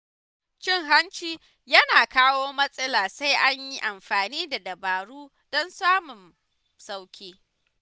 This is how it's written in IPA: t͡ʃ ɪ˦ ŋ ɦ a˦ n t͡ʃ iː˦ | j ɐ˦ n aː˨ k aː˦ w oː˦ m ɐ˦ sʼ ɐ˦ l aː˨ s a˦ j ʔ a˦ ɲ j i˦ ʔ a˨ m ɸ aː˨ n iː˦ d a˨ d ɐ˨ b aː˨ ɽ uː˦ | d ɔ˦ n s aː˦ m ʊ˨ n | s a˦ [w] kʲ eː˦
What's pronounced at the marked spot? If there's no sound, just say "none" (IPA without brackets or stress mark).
w